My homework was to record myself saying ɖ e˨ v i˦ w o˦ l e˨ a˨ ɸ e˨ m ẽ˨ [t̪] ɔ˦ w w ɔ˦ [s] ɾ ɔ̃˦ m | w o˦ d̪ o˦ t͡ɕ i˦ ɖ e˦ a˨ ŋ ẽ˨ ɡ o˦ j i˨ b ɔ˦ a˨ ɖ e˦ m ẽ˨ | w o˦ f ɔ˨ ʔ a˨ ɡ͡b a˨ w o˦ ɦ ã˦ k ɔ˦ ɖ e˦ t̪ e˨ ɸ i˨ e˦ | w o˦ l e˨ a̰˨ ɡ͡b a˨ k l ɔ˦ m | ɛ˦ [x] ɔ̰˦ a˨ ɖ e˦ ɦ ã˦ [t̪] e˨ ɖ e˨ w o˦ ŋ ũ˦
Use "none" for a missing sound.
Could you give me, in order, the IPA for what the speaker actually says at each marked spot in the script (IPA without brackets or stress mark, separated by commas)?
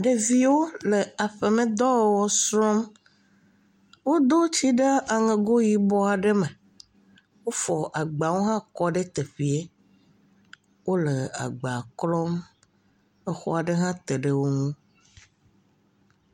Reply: d̪, s, x, t̪